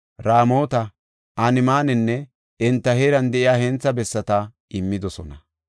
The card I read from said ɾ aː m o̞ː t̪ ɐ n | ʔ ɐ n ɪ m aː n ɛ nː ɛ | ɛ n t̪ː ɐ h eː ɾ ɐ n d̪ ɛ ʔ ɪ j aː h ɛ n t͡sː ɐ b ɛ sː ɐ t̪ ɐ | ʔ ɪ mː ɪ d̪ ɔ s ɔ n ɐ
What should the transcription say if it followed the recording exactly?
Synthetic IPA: ɾ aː m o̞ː t̪ ɐ | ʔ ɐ n ɪ m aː n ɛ nː ɛ | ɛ n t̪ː ɐ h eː ɾ ɐ n d̪ ɛ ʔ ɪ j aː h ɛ n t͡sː ɐ b ɛ sː ɐ t̪ ɐ | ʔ ɪ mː ɪ d̪ ɔ s ɔ n ɐ